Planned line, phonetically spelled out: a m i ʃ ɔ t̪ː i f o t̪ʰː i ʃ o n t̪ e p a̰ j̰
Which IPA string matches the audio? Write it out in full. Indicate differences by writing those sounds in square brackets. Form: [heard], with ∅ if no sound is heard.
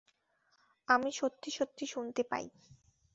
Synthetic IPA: a m i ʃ [o] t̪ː i [ʃ] o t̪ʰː i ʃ [u] n t̪ e p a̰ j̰